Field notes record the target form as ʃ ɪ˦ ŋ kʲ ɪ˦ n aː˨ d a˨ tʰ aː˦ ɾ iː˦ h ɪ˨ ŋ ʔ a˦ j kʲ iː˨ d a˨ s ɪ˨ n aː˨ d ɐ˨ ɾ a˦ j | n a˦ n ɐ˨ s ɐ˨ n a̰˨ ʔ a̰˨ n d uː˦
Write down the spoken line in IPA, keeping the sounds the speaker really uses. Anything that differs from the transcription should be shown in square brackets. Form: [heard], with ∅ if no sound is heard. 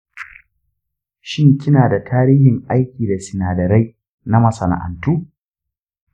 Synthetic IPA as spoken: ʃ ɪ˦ ŋ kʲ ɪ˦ n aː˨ d a˨ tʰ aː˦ ɾ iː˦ h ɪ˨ ŋ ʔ a˦ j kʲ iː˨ d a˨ s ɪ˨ n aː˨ d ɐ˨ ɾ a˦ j | n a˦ [m] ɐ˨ s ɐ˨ n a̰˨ ʔ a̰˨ n [t] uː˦